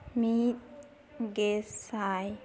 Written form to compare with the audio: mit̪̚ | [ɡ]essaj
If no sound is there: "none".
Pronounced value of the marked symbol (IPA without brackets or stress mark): ɡ